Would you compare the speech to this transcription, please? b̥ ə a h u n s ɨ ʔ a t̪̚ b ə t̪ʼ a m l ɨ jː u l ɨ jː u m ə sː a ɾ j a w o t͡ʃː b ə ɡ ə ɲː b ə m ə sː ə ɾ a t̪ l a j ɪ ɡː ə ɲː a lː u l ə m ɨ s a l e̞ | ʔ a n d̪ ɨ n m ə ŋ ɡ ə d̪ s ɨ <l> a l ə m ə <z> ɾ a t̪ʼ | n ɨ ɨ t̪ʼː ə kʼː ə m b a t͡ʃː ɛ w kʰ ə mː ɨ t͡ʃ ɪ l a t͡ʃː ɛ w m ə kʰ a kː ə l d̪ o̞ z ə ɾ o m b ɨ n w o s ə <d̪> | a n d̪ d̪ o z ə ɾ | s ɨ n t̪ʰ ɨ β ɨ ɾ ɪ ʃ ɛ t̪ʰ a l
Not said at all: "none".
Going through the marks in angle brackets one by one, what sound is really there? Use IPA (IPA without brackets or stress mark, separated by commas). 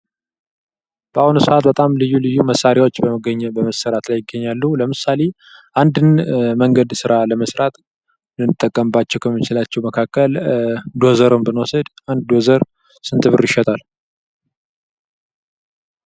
ɾ, s, d̪